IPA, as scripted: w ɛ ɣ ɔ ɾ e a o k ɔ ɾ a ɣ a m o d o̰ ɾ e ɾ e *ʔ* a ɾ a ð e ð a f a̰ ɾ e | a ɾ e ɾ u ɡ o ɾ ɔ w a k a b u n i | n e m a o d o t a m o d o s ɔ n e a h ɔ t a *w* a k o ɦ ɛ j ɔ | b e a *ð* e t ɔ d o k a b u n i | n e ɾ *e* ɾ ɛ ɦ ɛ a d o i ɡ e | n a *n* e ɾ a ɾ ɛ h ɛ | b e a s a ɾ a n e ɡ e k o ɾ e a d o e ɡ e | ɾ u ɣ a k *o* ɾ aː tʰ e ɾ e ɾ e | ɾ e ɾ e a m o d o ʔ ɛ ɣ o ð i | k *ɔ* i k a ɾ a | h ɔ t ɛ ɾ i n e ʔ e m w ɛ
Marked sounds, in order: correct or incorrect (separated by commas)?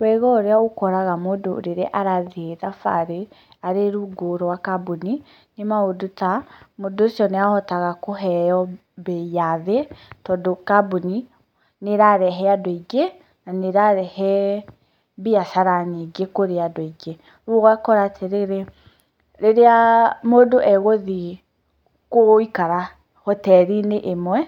correct, incorrect, correct, incorrect, correct, incorrect, incorrect